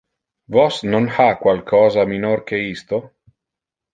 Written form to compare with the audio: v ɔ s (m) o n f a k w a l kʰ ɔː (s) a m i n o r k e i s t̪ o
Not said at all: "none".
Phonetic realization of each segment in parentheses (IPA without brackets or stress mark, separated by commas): n, z